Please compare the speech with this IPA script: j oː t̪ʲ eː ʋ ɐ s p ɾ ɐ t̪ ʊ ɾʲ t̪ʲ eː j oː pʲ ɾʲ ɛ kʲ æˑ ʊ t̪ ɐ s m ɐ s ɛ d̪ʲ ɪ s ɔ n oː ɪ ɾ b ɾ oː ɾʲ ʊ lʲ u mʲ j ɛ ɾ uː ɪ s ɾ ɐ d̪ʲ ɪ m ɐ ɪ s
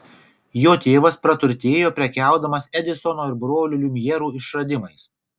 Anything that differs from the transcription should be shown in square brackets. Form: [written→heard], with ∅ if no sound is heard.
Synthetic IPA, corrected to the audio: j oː t̪ʲ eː ʋ ɐ s p ɾ ɐ t̪ ʊ ɾʲ t̪ʲ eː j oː pʲ ɾʲ ɛ kʲ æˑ ʊ [t̪→d̪] ɐ [s→∅] m ɐ s ɛ d̪ʲ ɪ s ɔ n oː ɪ ɾ b ɾ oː [ɾʲ→lʲ] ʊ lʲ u mʲ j ɛ ɾ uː ɪ [s→ʃ] ɾ ɐ d̪ʲ ɪ m ɐ ɪ s